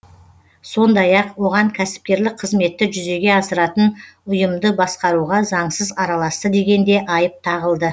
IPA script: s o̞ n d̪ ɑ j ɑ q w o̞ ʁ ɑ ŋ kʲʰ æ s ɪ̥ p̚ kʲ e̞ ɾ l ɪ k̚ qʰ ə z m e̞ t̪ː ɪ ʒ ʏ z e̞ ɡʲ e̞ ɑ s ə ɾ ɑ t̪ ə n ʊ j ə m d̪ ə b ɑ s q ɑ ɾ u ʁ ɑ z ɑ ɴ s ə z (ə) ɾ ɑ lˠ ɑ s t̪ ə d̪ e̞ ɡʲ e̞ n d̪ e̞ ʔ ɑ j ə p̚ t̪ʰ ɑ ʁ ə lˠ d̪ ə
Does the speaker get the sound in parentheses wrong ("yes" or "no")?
yes